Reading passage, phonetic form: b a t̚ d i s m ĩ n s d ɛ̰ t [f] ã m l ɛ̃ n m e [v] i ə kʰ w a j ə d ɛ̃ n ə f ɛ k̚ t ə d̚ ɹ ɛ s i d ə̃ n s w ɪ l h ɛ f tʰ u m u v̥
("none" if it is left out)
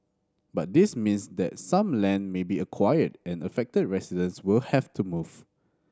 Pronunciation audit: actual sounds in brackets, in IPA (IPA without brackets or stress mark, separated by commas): s, b